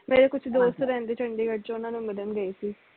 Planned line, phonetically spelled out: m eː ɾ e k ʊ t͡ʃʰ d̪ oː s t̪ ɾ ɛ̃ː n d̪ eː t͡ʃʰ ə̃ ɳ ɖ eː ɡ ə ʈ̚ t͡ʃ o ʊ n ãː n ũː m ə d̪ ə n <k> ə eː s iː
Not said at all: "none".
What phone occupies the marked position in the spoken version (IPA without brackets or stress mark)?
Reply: ɡ